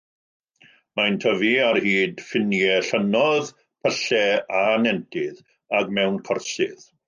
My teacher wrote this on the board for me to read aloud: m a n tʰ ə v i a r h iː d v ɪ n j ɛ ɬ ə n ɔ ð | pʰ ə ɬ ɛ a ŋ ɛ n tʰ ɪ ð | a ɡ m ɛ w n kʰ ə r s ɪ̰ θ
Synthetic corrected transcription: m a n tʰ ə v i a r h iː d f ɪ n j ɛ ɬ ə n ɔ ð | pʰ ə ɬ ɛ a n ɛ n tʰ ɪ ð | a ɡ m ɛ w n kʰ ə r s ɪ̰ ð